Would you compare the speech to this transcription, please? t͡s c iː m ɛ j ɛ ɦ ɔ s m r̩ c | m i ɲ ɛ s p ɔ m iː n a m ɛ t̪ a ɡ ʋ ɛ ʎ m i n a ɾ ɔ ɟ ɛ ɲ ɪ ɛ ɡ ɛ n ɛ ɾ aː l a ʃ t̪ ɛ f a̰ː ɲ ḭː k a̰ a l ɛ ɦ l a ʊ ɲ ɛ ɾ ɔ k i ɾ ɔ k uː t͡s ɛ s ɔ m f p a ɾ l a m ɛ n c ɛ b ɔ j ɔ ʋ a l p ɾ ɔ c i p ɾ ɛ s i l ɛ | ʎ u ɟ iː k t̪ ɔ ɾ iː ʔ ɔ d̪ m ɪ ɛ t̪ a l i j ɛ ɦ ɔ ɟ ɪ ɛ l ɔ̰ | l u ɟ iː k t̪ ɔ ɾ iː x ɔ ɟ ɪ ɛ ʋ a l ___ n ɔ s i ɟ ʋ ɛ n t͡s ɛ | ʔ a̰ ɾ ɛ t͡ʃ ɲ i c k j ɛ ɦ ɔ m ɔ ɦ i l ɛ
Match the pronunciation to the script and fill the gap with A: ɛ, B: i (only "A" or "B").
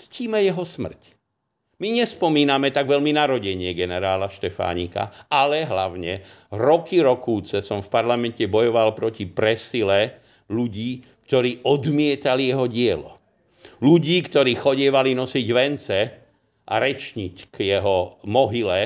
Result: B